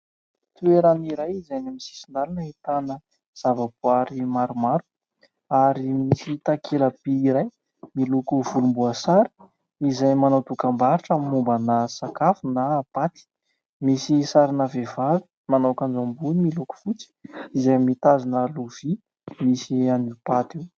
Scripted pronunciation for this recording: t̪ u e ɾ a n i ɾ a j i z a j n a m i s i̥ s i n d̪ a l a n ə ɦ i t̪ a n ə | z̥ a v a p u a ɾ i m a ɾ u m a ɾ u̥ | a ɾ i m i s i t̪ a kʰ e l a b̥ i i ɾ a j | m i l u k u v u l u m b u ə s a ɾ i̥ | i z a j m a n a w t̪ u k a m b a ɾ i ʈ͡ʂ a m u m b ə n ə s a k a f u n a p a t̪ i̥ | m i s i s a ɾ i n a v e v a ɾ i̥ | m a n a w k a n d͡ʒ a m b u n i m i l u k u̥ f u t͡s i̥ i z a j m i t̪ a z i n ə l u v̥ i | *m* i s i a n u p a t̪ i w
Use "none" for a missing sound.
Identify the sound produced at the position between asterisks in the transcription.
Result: m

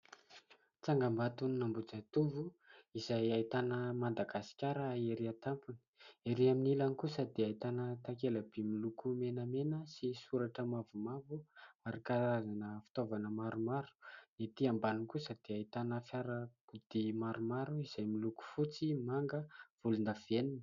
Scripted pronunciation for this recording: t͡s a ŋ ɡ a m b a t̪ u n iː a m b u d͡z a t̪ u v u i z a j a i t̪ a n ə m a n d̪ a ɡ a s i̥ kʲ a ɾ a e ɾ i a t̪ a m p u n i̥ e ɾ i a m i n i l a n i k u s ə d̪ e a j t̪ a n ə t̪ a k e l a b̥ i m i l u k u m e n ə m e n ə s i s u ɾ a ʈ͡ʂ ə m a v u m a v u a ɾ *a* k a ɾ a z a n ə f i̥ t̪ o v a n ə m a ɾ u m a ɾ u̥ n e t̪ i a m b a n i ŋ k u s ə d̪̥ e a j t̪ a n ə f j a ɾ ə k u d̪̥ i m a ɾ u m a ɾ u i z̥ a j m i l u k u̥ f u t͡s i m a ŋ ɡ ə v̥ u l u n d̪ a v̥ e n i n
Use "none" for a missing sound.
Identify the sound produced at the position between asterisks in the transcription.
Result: i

